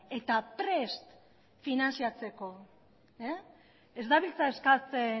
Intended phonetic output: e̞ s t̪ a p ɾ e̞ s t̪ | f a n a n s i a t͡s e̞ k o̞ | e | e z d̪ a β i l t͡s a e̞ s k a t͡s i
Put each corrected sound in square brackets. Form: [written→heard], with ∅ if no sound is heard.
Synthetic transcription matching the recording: e̞ [s→∅] t̪ a p ɾ e̞ s t̪ | f [a→i] n a n s i a t͡s e̞ k o̞ | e | e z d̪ a β i l t͡s a e̞ s k a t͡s [i→e]

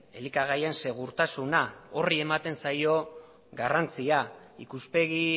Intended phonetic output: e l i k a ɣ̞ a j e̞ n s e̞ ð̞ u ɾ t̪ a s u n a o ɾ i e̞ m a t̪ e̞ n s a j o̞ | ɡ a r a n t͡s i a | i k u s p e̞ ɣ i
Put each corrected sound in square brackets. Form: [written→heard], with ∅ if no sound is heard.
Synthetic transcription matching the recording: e l i k a ɣ̞ a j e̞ n s e̞ [ð̞→ɣ̞] u ɾ t̪ a s u n a o [ɾ→r] i e̞ m a t̪ e̞ n s a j o̞ | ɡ a r a n t͡s i a | i k u s p e̞ ɣ i

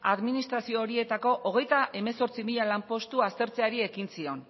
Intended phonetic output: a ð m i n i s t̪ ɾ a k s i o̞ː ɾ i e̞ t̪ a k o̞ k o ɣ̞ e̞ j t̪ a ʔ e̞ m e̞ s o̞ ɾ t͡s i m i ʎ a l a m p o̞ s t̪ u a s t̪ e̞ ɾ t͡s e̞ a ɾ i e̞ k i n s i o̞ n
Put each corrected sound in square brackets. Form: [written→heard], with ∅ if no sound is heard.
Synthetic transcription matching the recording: a ð m i n i s t̪ ɾ a [k→∅] s i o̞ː ɾ i e̞ t̪ a k o̞ [k→ʔ] o ɣ̞ e̞ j t̪ a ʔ e̞ m e̞ s o̞ ɾ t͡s i m i ʎ a l a m p o̞ s t̪ u a s t̪ e̞ ɾ t͡s e̞ a ɾ i e̞ k i n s i o̞ n

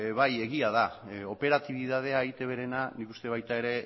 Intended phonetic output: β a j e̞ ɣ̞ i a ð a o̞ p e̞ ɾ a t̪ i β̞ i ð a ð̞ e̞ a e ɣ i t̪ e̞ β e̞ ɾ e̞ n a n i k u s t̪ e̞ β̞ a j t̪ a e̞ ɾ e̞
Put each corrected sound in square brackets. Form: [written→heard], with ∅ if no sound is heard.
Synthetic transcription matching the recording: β a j e̞ ɣ̞ i a ð a o̞ p e̞ ɾ a t̪ i β̞ i ð a ð̞ e̞ a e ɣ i t̪ e̞ β e̞ ɾ e̞ n a n i k u s t̪ e̞ β̞ a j t̪ a e̞ ɾ e̞

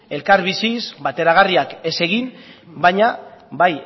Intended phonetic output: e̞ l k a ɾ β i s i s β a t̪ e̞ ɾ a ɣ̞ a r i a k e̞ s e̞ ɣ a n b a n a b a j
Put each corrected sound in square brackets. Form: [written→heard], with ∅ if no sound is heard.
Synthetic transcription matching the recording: e̞ l k a ɾ β i s i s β a t̪ e̞ ɾ a ɣ̞ a r i a k e̞ s e̞ ɣ [a→i] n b a [n→ɲ] a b a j

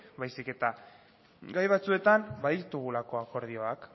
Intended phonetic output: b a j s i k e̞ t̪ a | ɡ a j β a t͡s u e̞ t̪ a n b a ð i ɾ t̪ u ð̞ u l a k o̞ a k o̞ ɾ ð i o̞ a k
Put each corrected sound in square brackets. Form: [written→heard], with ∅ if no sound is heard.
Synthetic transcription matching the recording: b a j s i k e̞ t̪ a | ɡ a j β a t͡s u e̞ t̪ a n b a ð i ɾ t̪ u [ð̞→ɣ̞] u l a k o̞ a k o̞ ɾ ð i o̞ a k

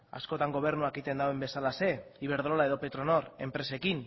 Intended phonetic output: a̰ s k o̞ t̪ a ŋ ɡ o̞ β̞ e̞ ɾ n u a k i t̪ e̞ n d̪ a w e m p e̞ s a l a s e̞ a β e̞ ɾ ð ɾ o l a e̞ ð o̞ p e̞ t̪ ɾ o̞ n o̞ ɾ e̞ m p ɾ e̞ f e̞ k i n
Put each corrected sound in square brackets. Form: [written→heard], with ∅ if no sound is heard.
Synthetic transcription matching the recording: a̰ s k o̞ t̪ a ŋ ɡ o̞ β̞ e̞ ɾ n u a k i t̪ e̞ n d̪ a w e m [p→b] e̞ s a l a s e̞ [a→i] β e̞ ɾ ð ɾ o l a e̞ ð o̞ p e̞ t̪ ɾ o̞ n o̞ ɾ e̞ m p ɾ e̞ [f→s] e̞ k i n

